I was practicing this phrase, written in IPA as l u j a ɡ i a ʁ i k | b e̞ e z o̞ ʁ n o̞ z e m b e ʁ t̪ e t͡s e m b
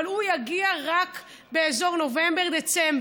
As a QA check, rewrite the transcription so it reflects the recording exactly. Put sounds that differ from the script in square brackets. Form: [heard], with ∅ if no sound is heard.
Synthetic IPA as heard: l u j a ɡ i a ʁ [a] k | b e̞ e z o̞ ʁ n o̞ [v] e m b e ʁ [d̪] e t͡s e m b